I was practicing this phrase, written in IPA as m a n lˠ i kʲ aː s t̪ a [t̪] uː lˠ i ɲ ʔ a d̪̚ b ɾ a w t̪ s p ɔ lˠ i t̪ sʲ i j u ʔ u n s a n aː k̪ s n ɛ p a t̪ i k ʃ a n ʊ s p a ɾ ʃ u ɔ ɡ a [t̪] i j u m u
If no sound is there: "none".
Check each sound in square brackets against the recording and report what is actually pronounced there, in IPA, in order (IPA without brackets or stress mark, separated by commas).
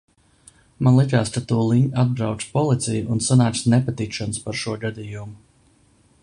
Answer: t̪, d̪